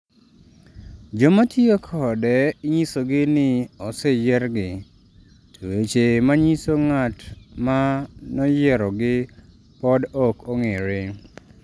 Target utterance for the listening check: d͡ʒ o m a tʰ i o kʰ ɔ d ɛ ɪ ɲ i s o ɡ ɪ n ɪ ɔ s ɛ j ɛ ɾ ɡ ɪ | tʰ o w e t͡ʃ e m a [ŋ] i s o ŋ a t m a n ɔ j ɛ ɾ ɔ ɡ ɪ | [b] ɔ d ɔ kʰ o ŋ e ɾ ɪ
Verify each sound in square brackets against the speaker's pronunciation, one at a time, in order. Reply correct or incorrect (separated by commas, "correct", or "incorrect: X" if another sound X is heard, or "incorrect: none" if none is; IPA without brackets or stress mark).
incorrect: ɲ, incorrect: p